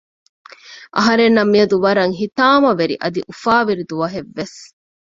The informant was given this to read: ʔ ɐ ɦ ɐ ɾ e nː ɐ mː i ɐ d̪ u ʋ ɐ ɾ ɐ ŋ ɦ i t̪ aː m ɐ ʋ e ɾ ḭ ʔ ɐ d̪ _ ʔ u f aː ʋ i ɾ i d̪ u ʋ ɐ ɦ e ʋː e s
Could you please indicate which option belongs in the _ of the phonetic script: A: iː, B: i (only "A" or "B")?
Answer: B